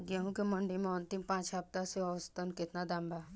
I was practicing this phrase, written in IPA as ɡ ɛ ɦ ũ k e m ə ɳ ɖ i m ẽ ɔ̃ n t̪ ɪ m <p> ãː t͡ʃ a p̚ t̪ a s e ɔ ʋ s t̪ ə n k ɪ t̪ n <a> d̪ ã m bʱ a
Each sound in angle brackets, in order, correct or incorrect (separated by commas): correct, correct